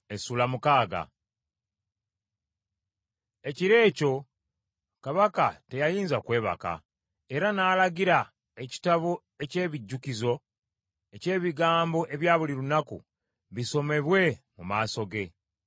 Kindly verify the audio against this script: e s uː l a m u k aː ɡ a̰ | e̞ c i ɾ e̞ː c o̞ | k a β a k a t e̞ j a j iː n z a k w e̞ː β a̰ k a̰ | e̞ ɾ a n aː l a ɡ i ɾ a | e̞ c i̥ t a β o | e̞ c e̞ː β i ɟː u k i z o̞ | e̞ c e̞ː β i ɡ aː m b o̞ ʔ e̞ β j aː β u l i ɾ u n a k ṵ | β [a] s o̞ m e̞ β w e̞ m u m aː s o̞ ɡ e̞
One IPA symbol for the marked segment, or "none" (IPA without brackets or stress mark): i